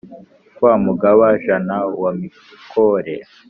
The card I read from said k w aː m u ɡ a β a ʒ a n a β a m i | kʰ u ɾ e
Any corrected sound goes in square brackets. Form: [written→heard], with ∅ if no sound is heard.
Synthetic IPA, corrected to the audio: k w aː m u ɡ a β a ʒ a n a [β→w] a m i | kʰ [u→o] ɾ e